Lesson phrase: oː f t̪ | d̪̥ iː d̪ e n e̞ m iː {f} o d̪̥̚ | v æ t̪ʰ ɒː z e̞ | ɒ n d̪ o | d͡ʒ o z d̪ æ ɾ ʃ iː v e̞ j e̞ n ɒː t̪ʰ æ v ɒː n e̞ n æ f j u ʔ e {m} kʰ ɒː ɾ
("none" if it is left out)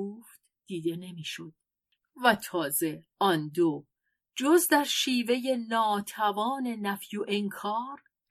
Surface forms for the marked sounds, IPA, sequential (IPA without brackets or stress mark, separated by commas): ʃ, ŋ